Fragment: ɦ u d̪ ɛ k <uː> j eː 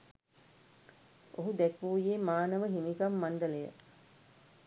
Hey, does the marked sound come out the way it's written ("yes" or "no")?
yes